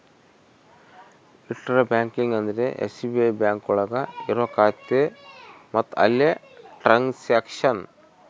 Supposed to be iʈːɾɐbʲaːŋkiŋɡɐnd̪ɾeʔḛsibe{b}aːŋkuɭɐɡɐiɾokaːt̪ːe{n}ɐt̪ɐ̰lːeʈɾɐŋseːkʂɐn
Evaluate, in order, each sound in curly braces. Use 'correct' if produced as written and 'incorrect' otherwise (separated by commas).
correct, incorrect